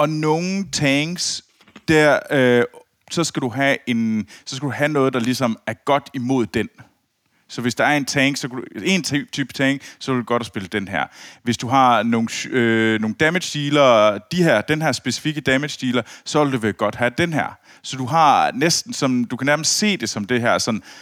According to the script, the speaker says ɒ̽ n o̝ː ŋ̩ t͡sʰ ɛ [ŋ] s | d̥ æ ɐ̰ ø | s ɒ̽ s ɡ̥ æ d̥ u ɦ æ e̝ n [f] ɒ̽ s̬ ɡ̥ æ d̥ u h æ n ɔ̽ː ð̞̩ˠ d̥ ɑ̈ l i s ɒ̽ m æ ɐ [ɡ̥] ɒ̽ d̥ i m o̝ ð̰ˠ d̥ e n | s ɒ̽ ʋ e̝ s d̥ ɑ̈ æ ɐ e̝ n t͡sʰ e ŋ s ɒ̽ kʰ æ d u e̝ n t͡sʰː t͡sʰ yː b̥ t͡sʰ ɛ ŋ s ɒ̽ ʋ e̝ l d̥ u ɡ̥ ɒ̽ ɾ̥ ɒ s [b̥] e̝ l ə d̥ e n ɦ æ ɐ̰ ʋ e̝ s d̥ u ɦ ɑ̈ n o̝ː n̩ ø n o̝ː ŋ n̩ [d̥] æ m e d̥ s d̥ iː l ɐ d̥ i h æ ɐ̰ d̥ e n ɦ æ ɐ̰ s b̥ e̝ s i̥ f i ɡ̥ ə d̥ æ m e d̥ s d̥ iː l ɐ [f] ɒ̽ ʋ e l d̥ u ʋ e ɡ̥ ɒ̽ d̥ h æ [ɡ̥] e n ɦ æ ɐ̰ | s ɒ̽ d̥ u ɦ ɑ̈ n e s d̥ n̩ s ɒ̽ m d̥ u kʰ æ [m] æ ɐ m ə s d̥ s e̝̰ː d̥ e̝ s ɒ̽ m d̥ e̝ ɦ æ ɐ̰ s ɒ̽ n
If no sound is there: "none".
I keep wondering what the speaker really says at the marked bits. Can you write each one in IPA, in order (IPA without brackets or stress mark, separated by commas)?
ŋ, s, ɡ̥, b̥, d̥, s, d̥, n